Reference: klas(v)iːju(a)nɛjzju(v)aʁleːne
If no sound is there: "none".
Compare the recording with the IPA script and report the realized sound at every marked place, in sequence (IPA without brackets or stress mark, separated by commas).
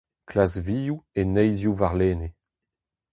v, e, v